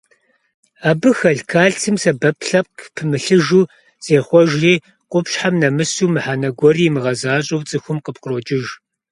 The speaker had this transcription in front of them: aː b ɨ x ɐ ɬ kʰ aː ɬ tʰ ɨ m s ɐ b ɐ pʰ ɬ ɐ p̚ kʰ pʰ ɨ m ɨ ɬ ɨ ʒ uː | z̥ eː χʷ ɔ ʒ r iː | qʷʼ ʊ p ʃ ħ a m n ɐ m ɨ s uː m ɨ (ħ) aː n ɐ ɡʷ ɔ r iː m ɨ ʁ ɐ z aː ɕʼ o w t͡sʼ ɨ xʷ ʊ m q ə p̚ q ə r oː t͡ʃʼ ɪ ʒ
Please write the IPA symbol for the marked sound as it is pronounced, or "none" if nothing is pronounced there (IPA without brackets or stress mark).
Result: ħ